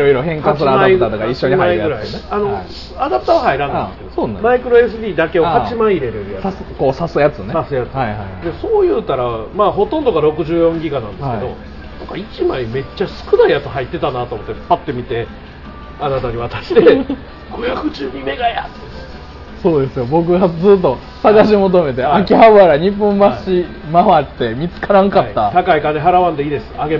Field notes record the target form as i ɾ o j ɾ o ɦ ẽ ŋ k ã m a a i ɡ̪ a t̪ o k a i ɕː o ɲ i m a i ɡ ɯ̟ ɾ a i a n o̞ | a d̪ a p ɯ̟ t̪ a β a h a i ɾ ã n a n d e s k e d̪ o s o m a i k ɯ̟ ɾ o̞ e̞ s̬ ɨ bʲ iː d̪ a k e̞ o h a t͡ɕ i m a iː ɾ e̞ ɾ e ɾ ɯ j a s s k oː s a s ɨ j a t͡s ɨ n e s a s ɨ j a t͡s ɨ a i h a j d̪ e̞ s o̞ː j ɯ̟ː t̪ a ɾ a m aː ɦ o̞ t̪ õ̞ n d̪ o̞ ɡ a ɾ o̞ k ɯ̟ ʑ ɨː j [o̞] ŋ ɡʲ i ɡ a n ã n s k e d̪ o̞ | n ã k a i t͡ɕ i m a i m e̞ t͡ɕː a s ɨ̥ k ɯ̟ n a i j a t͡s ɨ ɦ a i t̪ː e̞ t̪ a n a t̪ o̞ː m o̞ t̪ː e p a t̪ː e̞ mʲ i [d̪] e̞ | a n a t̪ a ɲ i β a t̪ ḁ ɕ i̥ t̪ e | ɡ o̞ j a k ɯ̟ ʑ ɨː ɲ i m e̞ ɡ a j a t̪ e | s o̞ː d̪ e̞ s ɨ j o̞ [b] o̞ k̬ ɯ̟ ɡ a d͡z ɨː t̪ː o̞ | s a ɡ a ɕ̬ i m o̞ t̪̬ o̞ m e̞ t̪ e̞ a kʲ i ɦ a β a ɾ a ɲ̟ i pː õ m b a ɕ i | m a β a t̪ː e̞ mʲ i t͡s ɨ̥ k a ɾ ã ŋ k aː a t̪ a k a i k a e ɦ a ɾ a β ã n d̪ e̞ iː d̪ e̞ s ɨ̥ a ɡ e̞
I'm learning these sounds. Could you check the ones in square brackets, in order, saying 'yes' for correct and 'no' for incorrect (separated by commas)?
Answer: no, no, yes